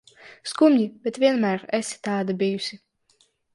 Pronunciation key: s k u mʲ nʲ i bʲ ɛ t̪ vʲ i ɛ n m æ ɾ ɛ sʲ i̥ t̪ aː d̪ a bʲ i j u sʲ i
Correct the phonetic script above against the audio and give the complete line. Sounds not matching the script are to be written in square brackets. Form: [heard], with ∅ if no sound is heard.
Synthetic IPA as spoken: s k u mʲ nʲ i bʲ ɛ t̪ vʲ i ɛ n m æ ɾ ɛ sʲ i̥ t̪ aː d̪ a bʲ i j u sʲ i